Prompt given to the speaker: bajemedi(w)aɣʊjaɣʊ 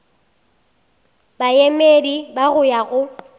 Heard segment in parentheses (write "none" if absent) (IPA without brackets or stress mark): b